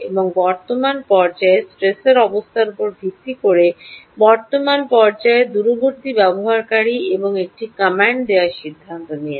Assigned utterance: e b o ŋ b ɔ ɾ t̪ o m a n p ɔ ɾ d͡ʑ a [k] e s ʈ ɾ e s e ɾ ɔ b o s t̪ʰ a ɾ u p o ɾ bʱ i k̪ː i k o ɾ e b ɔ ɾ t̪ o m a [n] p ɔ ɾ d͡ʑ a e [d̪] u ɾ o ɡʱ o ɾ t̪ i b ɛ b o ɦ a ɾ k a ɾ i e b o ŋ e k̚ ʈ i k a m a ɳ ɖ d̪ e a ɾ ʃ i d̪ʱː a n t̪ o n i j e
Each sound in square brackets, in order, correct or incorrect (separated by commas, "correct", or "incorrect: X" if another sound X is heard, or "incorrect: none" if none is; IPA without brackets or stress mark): incorrect: none, correct, correct